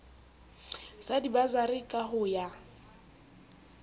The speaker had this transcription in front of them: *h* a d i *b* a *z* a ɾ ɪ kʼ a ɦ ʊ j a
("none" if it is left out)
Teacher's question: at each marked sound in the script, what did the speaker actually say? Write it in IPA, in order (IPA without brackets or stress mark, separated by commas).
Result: s, b, z